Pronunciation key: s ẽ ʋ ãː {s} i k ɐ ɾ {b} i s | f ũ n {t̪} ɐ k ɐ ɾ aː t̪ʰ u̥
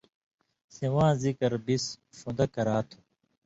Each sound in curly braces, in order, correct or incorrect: incorrect, correct, incorrect

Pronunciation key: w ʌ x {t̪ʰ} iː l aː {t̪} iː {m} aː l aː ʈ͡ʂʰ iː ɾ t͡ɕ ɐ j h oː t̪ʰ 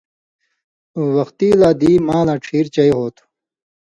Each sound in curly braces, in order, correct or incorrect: incorrect, incorrect, correct

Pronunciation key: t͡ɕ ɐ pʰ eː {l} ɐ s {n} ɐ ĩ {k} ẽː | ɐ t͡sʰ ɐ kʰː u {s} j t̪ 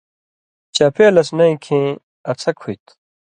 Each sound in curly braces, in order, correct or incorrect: correct, correct, incorrect, incorrect

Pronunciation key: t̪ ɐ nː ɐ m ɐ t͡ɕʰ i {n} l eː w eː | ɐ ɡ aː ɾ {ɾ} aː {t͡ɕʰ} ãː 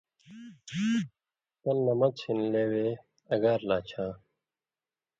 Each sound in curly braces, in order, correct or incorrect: correct, incorrect, correct

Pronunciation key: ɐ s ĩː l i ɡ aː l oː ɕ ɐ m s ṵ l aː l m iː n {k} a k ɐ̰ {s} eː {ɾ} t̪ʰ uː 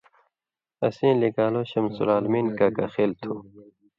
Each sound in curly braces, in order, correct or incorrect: correct, incorrect, incorrect

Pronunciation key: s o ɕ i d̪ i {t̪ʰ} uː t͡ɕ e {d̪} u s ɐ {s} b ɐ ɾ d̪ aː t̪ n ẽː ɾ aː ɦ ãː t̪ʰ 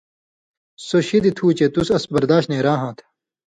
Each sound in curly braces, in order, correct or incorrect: correct, incorrect, correct

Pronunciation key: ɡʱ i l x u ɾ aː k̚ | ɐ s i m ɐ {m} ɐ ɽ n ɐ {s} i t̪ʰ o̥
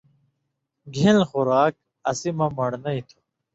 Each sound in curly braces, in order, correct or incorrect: correct, incorrect

